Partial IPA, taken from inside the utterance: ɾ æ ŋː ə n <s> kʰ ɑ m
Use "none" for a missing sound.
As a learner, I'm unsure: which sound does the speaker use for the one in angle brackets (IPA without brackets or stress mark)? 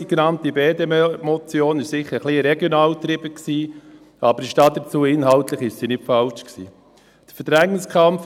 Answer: s